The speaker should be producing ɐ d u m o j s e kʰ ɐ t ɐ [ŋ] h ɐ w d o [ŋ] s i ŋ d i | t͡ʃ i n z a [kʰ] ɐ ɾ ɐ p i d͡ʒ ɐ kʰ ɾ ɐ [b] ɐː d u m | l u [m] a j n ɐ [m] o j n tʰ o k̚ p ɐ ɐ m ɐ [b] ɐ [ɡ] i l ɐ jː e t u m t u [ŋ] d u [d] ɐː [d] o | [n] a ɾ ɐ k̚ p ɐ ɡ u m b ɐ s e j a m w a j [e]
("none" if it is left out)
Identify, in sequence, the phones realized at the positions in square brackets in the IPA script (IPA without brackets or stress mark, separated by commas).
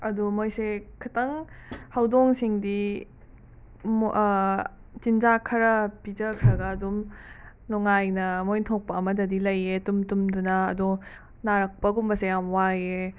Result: ŋ, ŋ, kʰ, ɡ, ŋ, m, d, d, m, n, d, n, e